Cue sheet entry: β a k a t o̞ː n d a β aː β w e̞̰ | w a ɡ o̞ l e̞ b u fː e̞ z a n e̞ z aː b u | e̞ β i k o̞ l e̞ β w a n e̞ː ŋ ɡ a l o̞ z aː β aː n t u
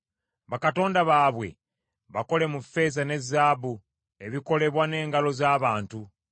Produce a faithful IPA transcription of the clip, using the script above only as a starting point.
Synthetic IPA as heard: β a k a t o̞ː n d a β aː β w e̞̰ | β a k o̞ l e̞ m u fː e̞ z a n e̞ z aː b u | e̞ β i k o̞ l e̞ β w a n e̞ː ŋ ɡ a l o̞ z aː β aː n t u

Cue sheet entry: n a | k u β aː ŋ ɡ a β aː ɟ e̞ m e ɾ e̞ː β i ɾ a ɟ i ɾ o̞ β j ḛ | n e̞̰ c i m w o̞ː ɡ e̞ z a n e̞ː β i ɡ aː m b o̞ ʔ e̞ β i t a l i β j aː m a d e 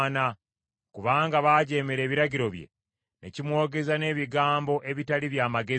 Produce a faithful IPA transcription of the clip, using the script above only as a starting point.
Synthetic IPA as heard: n a | k u β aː ŋ ɡ a β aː ɟ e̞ m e ɾ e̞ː β i ɾ a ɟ i ɾ o̞ β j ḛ | n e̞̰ c i m w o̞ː ɡ e̞ z a n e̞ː β i ɡ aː m b o̞ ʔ e̞ β i t a l i β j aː m a ɡ e

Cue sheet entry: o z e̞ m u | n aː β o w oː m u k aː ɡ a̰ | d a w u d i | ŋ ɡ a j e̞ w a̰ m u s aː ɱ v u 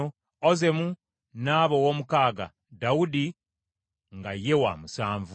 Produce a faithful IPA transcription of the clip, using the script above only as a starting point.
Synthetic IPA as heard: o z e̞ m u | n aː β o w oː m u k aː ɡ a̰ | d a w u d i | ŋ ɡ a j e̞ w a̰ m u s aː ɱ v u

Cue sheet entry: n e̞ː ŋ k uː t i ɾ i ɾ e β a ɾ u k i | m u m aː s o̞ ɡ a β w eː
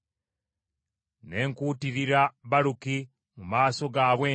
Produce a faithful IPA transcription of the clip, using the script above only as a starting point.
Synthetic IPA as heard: n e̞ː ŋ k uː t i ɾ i ɾ a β a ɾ u k i | m u m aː s o̞ ɡ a β w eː

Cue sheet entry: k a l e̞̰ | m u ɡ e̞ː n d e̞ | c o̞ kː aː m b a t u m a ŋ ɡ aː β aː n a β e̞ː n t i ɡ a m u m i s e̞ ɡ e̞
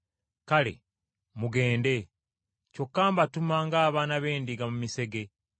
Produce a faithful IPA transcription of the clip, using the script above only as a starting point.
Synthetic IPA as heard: k a l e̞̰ | m u ɡ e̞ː n d e̞ | c o̞ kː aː m b a t u m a ŋ ɡ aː β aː n a β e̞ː n d i ɡ a m u m i s e̞ ɡ e̞

